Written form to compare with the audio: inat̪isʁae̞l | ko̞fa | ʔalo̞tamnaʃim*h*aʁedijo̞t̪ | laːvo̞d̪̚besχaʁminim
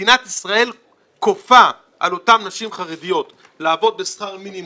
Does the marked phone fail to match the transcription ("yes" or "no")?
yes